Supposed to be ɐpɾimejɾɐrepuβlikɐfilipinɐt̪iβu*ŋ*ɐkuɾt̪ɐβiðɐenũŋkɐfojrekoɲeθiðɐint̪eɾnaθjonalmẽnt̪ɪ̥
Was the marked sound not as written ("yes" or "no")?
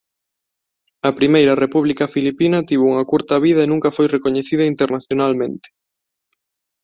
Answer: no